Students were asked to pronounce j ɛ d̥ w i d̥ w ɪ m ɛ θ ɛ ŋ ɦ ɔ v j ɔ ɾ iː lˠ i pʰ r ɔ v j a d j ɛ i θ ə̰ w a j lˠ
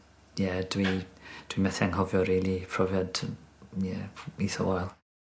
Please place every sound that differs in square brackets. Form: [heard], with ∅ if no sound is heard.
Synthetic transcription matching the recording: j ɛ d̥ w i d̥ w [i] m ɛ θ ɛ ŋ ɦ ɔ v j ɔ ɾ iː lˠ i pʰ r ɔ v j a d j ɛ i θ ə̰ w a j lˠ

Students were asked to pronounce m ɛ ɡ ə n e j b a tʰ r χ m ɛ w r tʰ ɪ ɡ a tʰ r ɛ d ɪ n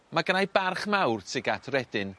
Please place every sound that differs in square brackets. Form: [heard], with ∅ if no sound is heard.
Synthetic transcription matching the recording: m [a] ɡ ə n [a] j b a [∅] r χ m [a] w r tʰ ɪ ɡ a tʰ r ɛ d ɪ n

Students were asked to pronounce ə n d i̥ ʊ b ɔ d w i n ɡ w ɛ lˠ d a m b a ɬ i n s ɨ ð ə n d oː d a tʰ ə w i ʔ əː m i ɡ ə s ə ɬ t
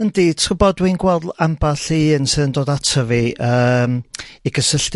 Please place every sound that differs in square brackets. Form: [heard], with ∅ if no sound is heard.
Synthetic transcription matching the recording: ə n d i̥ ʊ b ɔ d w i n ɡ w ɛ lˠ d a m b a ɬ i n s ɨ ð ə n d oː d a tʰ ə [v] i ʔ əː m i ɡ ə s ə ɬ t

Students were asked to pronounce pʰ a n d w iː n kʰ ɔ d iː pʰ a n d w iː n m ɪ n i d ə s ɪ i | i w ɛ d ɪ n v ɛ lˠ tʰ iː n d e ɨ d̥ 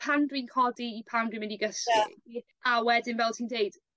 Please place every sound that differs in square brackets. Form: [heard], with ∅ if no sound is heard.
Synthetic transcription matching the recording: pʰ a n d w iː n kʰ ɔ d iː pʰ a n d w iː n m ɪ n i [ɡ] ə s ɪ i | [a] w ɛ d ɪ n v ɛ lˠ tʰ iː n d e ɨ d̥

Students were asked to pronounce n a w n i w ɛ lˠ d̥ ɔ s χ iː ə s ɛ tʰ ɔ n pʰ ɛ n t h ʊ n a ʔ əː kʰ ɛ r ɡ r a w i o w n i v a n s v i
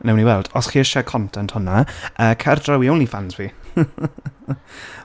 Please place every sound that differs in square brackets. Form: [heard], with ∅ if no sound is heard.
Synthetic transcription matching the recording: n [ɛ] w n i w ɛ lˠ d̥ ɔ s χ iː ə [ʃ] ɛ [kʰ] ɔ n [tʰ] ɛ n t h ʊ n a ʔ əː kʰ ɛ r [d] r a w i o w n i [f] a n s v i

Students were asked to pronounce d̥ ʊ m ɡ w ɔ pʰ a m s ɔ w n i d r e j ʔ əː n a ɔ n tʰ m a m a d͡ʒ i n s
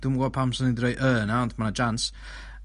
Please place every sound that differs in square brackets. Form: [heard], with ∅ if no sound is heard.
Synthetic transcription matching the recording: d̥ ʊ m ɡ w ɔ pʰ a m s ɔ [∅] n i d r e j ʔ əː n a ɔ n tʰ m a [n] a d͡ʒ [a] n s

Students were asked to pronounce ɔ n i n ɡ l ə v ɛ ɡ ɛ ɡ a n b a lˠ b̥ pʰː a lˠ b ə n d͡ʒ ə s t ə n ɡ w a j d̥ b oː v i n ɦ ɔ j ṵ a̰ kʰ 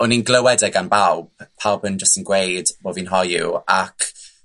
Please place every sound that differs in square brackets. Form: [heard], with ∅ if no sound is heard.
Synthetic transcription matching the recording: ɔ n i n ɡ l ə [w] ɛ [d] ɛ ɡ a n b a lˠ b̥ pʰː a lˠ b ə n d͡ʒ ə s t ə n ɡ w [e] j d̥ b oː v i n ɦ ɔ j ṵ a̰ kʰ

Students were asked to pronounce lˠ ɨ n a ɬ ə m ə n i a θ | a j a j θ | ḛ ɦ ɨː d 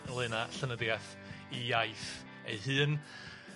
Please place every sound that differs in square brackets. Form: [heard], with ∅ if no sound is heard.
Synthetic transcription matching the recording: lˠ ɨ n a ɬ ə [n] ə [d] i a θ | [i] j a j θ | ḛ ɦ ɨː [n]

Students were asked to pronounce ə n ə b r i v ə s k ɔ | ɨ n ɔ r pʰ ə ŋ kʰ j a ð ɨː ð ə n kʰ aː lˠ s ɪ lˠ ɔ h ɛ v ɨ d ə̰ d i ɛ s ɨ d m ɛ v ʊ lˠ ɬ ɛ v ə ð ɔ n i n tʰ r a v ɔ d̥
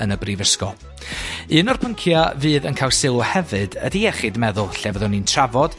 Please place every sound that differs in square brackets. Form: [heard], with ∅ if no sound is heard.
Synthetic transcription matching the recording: ə n ə b r i v ə s k ɔ | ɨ n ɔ r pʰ ə ŋ kʰ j a [v] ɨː ð ə n kʰ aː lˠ s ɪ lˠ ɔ h ɛ v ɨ d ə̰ d i ɛ [χ] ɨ d m ɛ [ð] ʊ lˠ ɬ ɛ v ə ð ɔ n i n tʰ r a v ɔ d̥

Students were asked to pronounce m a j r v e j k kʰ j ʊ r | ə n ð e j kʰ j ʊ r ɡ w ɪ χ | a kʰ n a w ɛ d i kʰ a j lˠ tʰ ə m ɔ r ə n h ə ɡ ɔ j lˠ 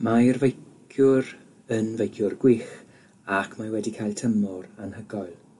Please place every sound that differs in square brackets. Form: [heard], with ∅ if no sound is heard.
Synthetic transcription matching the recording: m a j r v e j k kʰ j ʊ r | ə n [v] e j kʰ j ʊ r ɡ w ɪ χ | a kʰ [m] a w ɛ d i kʰ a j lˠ tʰ ə m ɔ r [a] n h ə ɡ ɔ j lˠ

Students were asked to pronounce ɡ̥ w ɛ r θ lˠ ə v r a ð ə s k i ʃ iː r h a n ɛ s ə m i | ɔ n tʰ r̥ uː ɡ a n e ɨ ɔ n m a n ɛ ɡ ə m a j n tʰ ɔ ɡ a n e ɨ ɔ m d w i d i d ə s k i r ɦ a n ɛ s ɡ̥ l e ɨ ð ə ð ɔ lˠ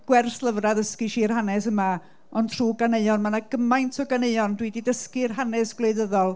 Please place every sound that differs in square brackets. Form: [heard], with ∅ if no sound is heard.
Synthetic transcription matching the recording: ɡ̥ w ɛ r θ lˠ ə v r a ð ə s k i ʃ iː r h a n ɛ s ə m [a] | ɔ n tʰ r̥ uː ɡ a n e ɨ ɔ n m a n [a] ɡ ə m a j n tʰ ɔ ɡ a n e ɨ ɔ [n] d w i d i d ə s k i r ɦ a n ɛ s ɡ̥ l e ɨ ð ə ð ɔ lˠ

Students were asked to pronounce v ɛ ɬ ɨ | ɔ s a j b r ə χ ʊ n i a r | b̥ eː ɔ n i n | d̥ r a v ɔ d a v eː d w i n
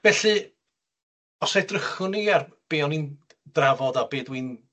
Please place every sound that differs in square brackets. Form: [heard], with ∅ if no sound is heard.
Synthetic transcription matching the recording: v ɛ ɬ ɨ | ɔ s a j [d] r ə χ ʊ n i a r | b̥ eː ɔ n i n | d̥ r a v ɔ d a [b] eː d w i n

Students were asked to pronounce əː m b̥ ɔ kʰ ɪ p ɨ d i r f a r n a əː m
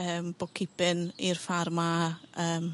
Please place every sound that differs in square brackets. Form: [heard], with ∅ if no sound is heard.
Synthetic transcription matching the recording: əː m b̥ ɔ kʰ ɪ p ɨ [n] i r f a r [m] a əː m

